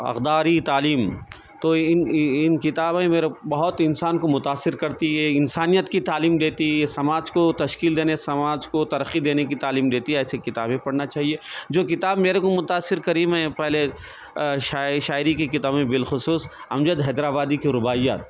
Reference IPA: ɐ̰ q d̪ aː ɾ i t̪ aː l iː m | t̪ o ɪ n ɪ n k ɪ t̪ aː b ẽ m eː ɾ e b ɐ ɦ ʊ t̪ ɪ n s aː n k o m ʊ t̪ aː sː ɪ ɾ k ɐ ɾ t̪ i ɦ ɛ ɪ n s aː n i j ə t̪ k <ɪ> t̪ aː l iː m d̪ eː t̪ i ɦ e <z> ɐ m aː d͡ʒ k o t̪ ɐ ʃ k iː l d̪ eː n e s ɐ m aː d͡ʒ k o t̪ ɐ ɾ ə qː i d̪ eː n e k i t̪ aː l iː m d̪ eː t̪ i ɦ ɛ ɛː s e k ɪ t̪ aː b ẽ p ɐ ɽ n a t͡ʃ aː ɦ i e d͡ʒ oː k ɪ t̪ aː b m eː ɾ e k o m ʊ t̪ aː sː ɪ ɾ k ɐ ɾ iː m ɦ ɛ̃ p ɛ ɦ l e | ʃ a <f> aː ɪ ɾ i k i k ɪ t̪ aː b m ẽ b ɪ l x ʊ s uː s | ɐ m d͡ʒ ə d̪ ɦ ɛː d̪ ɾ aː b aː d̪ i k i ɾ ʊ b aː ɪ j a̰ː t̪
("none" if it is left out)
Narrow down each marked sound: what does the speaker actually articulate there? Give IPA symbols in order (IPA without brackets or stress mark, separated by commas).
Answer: i, s, ʃ